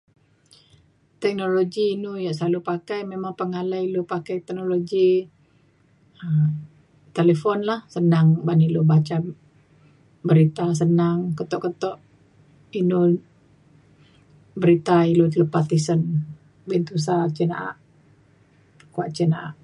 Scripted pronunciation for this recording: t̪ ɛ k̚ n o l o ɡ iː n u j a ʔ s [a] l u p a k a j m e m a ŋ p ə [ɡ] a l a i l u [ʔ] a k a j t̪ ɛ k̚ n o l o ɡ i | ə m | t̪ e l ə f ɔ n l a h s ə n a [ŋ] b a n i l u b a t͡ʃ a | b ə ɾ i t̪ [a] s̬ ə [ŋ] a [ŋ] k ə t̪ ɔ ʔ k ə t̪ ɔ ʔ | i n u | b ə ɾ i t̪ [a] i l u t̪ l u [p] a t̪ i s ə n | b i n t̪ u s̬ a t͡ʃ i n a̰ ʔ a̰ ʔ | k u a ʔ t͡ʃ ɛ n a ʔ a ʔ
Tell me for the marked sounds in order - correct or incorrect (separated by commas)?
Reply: correct, incorrect, incorrect, correct, correct, incorrect, correct, correct, correct